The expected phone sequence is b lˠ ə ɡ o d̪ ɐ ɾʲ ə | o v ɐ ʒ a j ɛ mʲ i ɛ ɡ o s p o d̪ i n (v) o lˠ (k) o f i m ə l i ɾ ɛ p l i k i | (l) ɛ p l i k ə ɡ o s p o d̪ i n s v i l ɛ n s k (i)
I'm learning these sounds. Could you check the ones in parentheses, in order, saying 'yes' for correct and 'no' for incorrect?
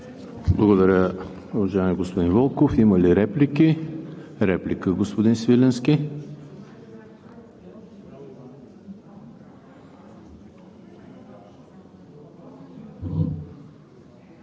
yes, yes, no, yes

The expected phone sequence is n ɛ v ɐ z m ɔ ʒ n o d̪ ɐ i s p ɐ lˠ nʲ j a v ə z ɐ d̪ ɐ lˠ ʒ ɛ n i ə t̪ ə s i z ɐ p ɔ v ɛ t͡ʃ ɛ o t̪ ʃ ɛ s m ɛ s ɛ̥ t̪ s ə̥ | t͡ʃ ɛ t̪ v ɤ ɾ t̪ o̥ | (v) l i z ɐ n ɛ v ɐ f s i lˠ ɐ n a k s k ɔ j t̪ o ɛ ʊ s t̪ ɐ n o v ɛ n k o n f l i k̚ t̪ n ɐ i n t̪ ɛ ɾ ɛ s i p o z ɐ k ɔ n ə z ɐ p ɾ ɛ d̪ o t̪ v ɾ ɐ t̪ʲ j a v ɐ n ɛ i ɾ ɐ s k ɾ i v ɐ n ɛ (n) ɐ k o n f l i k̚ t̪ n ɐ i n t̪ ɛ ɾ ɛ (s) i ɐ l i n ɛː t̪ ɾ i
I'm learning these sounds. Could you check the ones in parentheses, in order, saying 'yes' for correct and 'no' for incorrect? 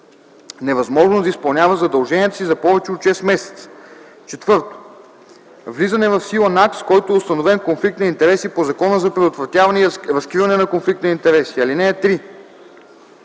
yes, yes, yes

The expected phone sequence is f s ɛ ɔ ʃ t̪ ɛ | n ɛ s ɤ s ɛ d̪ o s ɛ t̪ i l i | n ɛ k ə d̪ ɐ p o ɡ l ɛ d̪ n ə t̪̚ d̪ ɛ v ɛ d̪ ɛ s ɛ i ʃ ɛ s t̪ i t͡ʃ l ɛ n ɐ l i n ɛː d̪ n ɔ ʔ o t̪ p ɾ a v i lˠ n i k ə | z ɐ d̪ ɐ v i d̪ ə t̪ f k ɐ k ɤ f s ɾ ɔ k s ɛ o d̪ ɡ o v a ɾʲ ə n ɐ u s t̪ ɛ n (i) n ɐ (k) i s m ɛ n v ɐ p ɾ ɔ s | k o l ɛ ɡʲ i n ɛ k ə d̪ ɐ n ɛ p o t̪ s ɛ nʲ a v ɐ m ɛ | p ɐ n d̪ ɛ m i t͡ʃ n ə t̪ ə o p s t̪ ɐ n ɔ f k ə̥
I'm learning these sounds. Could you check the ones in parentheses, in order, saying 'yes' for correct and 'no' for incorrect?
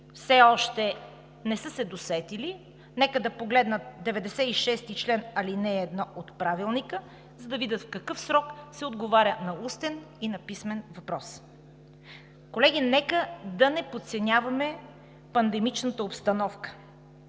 yes, no

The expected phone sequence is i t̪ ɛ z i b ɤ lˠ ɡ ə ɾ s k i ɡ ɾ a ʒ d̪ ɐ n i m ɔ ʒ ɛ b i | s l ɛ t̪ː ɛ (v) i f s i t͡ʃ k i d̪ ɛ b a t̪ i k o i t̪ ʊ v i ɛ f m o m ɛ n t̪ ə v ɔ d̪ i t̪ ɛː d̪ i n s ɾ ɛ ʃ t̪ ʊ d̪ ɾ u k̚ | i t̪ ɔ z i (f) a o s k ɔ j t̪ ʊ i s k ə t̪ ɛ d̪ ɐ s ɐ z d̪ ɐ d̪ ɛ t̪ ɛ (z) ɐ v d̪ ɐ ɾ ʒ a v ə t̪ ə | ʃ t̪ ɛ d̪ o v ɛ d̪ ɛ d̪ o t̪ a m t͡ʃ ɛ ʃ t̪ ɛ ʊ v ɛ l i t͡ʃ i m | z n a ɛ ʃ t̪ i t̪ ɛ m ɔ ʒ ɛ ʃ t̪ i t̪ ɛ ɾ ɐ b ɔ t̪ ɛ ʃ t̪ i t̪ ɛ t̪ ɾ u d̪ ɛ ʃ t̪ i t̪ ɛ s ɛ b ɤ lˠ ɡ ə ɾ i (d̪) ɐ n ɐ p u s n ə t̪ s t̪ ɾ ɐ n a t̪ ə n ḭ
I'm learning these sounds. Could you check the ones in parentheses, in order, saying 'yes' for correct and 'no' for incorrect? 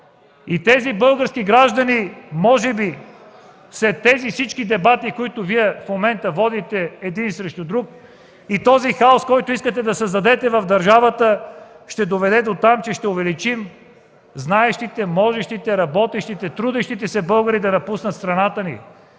no, no, no, yes

